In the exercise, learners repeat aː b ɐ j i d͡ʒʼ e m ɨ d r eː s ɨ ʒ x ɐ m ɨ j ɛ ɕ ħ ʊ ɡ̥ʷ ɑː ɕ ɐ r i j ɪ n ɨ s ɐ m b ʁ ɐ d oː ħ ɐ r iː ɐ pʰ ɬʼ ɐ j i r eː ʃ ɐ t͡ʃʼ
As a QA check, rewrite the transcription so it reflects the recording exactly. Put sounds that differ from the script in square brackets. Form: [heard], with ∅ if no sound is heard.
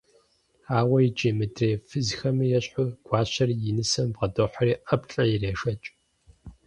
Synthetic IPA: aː [w] ɐ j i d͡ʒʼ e m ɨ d r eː [f] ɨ [z] x ɐ m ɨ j ɛ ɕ ħ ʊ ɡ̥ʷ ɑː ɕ ɐ r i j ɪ n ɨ s ɐ m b ʁ ɐ d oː ħ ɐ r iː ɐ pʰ ɬʼ ɐ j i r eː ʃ ɐ t͡ʃʼ

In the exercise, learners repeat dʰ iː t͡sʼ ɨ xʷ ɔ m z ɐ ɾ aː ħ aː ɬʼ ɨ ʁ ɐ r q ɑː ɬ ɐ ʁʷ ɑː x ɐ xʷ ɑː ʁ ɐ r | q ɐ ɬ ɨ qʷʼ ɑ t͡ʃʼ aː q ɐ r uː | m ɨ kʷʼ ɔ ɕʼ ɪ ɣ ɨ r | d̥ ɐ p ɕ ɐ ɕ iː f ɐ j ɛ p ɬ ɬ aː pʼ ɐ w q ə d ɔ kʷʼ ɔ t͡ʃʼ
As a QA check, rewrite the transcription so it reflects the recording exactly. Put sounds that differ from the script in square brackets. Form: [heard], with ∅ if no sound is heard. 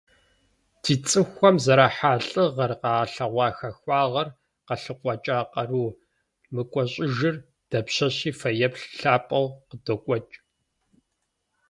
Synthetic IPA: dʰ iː t͡sʼ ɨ xʷ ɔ m z ɐ ɾ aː ħ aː ɬʼ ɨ ʁ ɐ r q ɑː ɬ ɐ ʁʷ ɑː x ɐ xʷ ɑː ʁ ɐ r | q ɐ ɬ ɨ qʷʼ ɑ t͡ʃʼ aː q ɐ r uː | m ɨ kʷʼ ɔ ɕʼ ɪ [ʒ] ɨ r | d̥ ɐ p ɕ ɐ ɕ iː f ɐ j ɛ p ɬ ɬ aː pʼ ɐ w q ə d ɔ kʷʼ ɔ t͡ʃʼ

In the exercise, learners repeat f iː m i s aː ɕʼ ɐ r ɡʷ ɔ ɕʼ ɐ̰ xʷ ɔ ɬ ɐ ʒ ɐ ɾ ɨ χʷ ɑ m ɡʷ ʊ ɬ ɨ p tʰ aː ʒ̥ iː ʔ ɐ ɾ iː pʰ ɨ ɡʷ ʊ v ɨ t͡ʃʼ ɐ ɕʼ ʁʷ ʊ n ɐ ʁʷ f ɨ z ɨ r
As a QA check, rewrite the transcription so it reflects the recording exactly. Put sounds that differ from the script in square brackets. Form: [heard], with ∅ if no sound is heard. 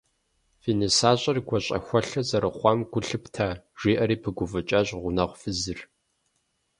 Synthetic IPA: f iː [n] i s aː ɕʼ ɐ r ɡʷ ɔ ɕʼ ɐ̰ xʷ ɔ ɬ ɐ [z] ɐ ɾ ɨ χʷ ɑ m ɡʷ ʊ ɬ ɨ p tʰ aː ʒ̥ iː ʔ ɐ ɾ iː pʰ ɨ ɡʷ ʊ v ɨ t͡ʃʼ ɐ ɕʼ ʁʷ ʊ n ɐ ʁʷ f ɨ z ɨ r

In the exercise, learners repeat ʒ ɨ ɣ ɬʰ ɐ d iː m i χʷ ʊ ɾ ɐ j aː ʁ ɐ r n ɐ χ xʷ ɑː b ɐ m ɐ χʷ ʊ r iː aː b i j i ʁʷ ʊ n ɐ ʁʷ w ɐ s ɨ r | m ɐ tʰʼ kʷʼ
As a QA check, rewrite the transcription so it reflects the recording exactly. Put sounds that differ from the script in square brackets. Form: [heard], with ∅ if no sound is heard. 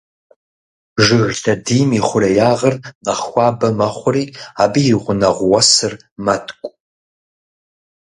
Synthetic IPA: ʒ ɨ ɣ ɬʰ ɐ d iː m i χʷ ʊ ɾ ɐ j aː ʁ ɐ r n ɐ χ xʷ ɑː b ɐ m ɐ χʷ ʊ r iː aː b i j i ʁʷ ʊ n ɐ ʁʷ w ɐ s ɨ r | m ɐ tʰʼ kʷʼ

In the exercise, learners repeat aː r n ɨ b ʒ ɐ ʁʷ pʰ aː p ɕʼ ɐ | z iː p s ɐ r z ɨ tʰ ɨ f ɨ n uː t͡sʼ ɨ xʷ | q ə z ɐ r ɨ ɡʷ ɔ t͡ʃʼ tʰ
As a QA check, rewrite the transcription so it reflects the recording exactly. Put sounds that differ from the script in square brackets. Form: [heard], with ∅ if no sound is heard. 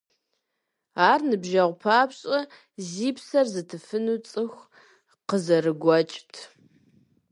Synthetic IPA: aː r n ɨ b ʒ ɐ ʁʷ pʰ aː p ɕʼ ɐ | z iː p s ɐ r z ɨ tʰ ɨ f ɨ n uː t͡sʼ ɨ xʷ | q ə z ɐ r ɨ ɡʷ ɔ t͡ʃʼ tʰ

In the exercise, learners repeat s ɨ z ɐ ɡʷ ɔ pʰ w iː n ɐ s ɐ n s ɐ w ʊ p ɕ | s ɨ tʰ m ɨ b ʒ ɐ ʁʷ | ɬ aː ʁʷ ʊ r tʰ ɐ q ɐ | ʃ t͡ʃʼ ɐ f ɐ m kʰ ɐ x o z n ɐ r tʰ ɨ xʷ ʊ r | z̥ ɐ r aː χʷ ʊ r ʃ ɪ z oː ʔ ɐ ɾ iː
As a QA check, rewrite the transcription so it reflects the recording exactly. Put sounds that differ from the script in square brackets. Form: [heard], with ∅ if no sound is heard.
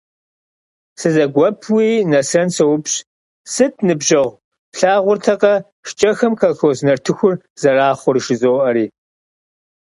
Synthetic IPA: s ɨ z ɐ ɡʷ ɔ pʰ w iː n ɐ s ɐ n s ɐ w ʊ p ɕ | s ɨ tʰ [n] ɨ b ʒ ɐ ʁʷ | ɬ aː ʁʷ ʊ r tʰ ɐ q ɐ | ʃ t͡ʃʼ ɐ [x] ɐ m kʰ ɐ x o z n ɐ r tʰ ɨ xʷ ʊ r | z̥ ɐ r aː χʷ ʊ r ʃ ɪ z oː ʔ ɐ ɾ iː

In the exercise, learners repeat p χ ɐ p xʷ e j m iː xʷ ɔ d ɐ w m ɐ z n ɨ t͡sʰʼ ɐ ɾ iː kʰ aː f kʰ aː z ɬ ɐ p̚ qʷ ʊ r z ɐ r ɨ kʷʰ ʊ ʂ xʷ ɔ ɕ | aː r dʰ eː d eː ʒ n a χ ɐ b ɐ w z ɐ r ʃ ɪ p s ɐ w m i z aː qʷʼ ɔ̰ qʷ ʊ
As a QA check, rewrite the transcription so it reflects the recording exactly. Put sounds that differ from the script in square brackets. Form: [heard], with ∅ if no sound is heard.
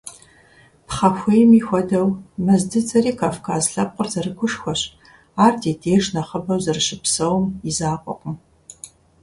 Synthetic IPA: p χ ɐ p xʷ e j m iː xʷ ɔ d ɐ w m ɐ z [d] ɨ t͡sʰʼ ɐ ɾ iː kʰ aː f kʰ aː z ɬ ɐ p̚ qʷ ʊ r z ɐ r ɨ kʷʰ ʊ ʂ xʷ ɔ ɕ | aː r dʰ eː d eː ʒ n [ɐ] χ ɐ b ɐ w z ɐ r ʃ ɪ p s ɐ w m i z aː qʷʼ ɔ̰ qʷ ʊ

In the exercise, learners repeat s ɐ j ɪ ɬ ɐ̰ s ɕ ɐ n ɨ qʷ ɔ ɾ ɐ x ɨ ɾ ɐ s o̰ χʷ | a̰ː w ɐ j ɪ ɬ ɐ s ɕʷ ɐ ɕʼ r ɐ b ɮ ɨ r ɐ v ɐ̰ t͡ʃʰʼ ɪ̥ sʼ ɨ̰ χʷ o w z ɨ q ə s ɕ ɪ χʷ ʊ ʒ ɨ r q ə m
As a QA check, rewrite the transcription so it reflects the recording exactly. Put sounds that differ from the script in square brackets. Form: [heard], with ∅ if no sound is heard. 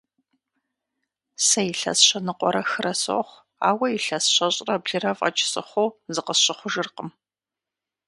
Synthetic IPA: s ɐ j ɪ ɬ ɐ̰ s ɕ ɐ n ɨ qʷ ɔ ɾ ɐ x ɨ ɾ ɐ s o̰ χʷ | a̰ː w ɐ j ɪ ɬ ɐ s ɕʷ ɐ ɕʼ r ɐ b ɮ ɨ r ɐ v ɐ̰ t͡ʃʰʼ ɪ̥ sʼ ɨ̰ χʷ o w z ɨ q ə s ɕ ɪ χʷ ʊ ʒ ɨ r q ə m

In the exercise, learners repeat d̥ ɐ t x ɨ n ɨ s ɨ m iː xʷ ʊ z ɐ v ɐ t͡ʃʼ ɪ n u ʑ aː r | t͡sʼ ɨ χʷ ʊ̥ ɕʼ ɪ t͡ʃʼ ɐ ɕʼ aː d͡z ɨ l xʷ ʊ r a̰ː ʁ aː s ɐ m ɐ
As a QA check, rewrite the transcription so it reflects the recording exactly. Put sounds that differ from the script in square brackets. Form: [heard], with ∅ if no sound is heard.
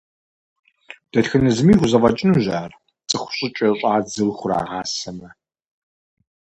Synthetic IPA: d̥ ɐ t x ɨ n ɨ [z] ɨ m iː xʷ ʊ z ɐ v ɐ t͡ʃʼ ɪ n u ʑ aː r | t͡sʼ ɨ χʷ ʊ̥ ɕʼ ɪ t͡ʃʼ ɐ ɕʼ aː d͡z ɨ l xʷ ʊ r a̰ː ʁ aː s ɐ m ɐ

